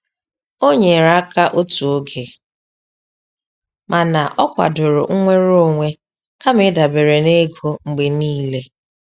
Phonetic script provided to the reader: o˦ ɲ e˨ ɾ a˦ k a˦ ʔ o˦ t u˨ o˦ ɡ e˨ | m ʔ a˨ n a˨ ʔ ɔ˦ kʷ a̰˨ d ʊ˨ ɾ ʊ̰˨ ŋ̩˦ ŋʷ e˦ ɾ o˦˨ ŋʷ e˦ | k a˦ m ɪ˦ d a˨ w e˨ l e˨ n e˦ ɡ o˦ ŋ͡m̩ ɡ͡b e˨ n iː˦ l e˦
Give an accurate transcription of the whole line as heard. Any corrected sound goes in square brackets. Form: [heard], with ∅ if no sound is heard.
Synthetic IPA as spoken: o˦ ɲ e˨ ɾ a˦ k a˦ ʔ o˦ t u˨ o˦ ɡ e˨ | m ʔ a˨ n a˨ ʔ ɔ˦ kʷ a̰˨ d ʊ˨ ɾ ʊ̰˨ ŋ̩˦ ŋʷ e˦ ɾ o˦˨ ŋʷ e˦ | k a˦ m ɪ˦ d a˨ [b] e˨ [ɾ] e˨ n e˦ ɡ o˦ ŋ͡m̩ ɡ͡b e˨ n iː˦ l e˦